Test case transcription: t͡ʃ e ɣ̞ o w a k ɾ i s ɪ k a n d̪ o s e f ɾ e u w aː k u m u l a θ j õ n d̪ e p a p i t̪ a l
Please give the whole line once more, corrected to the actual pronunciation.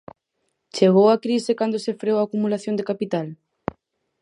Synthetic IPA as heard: t͡ʃ e ɣ̞ o w a k ɾ i s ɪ k a n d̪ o s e f ɾ e o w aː k u m u l a θ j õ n d̪ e k a p i t̪ a l